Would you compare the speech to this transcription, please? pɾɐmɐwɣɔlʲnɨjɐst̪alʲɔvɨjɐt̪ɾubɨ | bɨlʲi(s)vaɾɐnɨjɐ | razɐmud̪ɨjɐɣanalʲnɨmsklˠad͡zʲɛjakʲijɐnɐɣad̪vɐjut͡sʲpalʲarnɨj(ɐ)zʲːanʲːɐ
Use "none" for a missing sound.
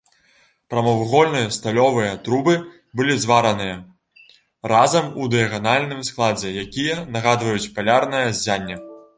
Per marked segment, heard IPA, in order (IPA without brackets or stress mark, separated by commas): z, ɐ